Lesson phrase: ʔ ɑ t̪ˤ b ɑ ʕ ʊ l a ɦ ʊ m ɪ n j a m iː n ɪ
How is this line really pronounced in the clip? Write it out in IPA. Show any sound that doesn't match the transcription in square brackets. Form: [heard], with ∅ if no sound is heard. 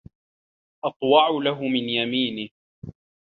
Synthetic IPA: ʔ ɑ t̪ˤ [w] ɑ ʕ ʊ l a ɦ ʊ m ɪ n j a m iː n ɪ